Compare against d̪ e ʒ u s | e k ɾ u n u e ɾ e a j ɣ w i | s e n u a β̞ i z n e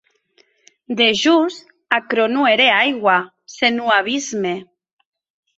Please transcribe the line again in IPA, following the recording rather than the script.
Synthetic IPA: d̪ e ʒ u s | a k ɾ o n u e ɾ e a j ɣ w a | s e n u a β̞ i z m e

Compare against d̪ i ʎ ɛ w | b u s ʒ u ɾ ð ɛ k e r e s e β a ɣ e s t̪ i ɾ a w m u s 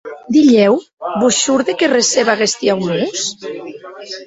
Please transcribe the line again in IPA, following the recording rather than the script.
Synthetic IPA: d̪ i ʎ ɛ w | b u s ʃ u ɾ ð e k e r e s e β a ɣ e s t̪ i a w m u s

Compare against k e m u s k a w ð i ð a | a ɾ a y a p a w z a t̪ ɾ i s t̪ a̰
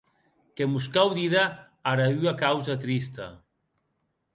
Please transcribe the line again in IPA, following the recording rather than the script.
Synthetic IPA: k e m u s k a w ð i ð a | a ɾ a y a k a w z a t̪ ɾ i s t̪ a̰

